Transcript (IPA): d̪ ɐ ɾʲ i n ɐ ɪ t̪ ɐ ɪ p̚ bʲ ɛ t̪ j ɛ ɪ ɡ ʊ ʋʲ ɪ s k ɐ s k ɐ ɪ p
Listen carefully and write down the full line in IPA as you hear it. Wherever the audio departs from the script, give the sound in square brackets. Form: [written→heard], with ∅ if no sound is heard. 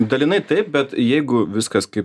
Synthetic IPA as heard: d̪ ɐ [ɾʲ→lʲ] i n ɐ ɪ t̪ ɐ ɪ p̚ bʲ ɛ t̪ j ɛ ɪ ɡ ʊ ʋʲ ɪ s k ɐ s k ɐ ɪ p